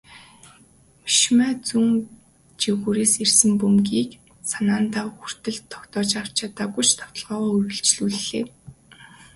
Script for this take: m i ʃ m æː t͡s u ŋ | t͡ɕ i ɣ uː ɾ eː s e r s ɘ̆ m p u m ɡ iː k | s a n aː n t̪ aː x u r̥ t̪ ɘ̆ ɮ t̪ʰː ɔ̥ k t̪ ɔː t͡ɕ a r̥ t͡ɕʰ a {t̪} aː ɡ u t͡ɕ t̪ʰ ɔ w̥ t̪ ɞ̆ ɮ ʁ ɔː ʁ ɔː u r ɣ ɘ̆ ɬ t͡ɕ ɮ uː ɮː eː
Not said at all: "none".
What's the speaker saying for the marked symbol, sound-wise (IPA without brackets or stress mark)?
t̪